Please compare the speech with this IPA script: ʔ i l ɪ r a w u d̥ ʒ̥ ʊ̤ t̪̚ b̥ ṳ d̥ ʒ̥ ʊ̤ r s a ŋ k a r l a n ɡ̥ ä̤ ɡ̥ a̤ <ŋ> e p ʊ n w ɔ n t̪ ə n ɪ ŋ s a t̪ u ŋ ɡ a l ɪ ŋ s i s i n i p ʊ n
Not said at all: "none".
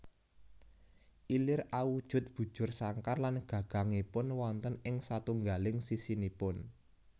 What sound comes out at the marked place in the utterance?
ŋ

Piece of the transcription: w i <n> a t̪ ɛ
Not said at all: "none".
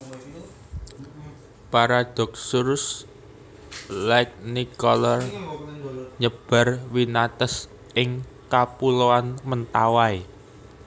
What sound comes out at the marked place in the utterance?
n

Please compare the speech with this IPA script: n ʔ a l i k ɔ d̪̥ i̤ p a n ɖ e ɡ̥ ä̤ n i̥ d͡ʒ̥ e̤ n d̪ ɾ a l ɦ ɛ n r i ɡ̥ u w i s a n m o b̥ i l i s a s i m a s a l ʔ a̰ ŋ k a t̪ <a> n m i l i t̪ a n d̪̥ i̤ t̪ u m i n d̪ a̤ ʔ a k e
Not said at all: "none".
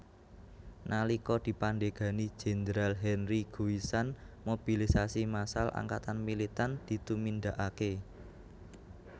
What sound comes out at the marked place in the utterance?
a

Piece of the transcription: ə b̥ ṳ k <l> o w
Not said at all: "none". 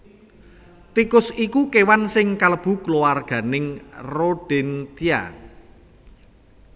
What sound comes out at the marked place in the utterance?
l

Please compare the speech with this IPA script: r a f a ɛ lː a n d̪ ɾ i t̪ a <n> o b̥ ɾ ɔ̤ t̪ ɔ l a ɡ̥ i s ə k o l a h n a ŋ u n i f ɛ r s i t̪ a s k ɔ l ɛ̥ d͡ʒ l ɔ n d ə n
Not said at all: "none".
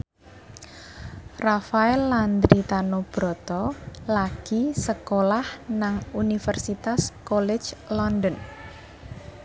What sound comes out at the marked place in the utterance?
n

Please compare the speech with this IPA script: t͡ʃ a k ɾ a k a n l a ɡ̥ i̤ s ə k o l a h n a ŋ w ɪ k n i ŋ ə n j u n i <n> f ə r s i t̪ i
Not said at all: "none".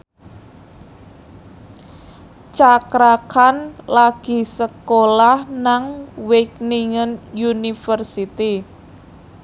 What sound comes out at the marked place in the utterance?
none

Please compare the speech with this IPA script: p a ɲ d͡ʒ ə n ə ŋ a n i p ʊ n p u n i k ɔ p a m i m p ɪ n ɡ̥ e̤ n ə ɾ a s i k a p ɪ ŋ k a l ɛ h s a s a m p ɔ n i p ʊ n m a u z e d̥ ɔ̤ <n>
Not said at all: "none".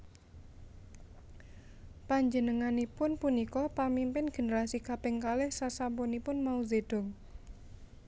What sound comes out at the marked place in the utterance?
ŋ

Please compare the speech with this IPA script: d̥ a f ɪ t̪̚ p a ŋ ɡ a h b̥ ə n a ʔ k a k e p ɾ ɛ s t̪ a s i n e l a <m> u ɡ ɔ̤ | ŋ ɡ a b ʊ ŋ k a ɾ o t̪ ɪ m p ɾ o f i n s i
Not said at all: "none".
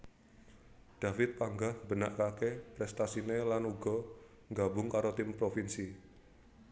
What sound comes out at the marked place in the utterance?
n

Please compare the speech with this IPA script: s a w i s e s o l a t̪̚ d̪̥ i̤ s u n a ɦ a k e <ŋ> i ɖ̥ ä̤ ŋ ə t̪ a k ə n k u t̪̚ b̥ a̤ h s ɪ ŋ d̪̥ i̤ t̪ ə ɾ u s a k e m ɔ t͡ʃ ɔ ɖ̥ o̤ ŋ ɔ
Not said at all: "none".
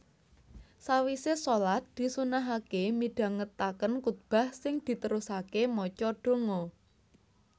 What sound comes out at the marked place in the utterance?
m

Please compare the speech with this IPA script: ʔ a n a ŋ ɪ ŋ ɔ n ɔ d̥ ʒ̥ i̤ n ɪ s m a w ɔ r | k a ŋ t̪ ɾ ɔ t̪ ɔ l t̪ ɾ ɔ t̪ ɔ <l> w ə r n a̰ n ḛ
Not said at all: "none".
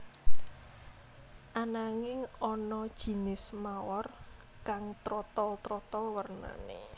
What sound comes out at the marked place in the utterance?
l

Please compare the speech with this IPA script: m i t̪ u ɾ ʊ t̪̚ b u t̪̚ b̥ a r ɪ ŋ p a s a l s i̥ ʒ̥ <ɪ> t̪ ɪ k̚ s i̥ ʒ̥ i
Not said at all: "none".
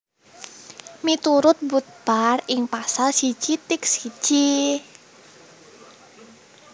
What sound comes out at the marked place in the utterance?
i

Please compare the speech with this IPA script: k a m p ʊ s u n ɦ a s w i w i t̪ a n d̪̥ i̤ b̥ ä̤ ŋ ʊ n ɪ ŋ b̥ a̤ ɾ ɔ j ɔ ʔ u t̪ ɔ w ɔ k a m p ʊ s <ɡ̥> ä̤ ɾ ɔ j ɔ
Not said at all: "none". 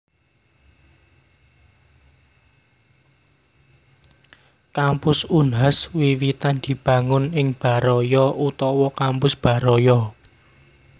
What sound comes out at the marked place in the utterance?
b̥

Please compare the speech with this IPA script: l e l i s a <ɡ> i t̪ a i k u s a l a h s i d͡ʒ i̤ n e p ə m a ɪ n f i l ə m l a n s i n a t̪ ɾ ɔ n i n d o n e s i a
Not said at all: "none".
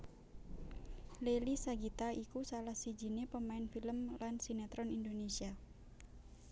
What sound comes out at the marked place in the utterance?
ɡ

